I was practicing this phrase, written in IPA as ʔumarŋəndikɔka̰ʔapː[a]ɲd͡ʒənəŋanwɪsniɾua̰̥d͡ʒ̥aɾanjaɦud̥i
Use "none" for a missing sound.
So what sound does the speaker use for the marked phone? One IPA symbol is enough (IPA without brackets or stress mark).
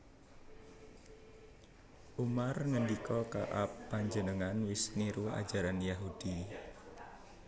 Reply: a